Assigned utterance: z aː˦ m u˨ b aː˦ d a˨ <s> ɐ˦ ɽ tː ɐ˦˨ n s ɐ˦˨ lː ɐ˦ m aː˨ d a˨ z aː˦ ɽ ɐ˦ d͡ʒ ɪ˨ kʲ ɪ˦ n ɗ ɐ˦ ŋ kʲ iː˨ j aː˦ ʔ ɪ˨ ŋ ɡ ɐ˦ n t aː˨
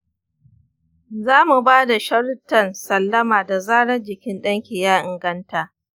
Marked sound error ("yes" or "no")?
yes